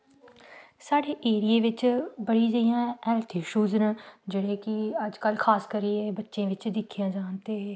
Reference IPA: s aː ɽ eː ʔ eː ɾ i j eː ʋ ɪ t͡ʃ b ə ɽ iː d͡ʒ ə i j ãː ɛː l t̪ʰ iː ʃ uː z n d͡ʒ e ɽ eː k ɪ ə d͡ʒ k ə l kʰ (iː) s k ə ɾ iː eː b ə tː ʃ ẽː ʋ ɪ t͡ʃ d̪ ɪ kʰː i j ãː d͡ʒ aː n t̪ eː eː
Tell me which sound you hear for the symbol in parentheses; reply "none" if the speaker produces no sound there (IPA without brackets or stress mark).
aː